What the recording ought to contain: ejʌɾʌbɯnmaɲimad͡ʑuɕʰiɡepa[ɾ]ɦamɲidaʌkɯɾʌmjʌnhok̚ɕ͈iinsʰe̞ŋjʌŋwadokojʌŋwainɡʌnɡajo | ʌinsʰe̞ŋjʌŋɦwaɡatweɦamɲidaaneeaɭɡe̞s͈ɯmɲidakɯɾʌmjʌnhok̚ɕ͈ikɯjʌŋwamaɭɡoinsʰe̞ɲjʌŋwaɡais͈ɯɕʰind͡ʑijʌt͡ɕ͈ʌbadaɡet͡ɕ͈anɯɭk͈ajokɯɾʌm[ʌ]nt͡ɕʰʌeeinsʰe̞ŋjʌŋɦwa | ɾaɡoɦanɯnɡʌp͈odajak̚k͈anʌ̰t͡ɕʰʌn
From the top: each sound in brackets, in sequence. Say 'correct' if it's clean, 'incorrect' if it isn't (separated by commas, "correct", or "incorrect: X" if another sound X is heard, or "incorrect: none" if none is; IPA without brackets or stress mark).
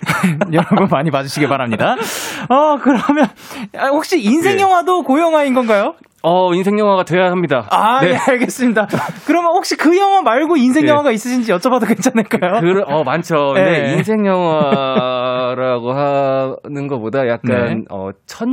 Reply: correct, incorrect: a